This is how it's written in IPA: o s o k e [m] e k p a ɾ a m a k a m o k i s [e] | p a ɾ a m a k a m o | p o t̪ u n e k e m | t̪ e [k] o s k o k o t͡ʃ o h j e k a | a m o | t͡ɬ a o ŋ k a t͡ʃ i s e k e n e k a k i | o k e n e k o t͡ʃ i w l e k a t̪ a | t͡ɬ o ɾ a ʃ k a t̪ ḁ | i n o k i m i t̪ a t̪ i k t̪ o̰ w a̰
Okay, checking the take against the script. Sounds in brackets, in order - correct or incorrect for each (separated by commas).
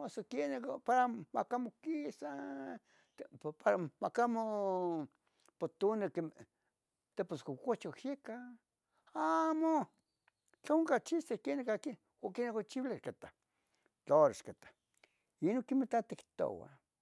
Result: incorrect, incorrect, incorrect